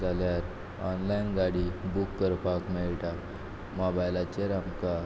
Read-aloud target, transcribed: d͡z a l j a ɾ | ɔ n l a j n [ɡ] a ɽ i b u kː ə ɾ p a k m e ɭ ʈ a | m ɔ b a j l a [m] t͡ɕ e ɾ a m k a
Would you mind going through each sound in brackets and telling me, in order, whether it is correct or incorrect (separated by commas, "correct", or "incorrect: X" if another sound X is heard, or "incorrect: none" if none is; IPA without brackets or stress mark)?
correct, incorrect: none